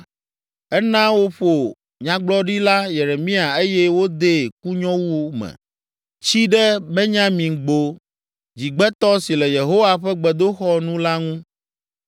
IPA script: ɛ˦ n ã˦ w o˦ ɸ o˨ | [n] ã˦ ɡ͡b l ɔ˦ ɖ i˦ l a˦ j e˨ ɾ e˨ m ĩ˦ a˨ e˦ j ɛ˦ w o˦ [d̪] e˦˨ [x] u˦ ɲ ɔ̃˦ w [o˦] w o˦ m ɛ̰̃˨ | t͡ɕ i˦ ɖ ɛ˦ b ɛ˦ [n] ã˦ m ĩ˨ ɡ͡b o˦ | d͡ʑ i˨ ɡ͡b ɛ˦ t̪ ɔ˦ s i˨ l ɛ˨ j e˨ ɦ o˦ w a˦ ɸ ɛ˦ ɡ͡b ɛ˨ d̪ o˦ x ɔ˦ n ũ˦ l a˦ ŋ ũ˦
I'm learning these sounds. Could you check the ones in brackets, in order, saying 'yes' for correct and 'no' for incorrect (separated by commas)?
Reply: no, yes, no, no, no